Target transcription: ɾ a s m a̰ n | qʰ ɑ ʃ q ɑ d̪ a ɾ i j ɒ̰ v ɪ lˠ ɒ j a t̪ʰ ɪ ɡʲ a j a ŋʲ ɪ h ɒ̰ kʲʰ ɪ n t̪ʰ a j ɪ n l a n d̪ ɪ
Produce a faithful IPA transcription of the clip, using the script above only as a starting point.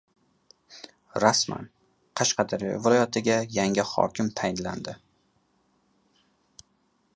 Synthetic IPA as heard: ɾ a s m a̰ n | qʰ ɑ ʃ q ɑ d̪ a ɾ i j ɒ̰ v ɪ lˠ ɒ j a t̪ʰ ɪ ɡʲ a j a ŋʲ ɪ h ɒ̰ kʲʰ ɪ m t̪ʰ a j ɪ n l a n d̪ ɪ